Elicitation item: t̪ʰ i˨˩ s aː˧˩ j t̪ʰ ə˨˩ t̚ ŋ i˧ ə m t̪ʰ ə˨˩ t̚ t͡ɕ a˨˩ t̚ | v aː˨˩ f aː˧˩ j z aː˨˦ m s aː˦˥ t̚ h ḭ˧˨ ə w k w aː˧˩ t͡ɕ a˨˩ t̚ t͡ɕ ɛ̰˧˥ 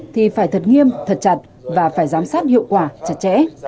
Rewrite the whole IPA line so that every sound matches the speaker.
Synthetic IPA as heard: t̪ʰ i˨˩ f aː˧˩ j t̪ʰ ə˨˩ t̚ ŋ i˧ ə m t̪ʰ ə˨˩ t̚ t͡ɕ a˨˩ t̚ | v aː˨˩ f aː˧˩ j z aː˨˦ m s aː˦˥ t̚ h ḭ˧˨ ə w k w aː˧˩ t͡ɕ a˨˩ t̚ t͡ɕ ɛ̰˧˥